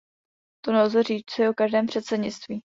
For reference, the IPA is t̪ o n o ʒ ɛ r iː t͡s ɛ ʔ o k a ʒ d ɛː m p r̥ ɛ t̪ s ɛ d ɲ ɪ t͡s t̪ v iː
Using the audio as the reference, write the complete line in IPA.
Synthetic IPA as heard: t̪ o n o z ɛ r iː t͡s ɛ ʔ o k a ʒ d ɛː m p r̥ ɛ t̪ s ɛ d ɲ ɪ t͡s t̪ v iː